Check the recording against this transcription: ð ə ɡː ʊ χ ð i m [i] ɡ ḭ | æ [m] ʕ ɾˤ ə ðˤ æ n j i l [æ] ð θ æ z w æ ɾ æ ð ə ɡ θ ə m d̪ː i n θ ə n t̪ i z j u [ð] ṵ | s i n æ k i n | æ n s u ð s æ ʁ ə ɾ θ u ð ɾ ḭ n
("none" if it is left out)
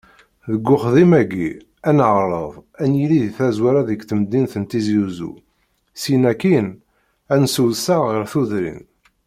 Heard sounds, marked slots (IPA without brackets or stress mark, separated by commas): æ, n, i, z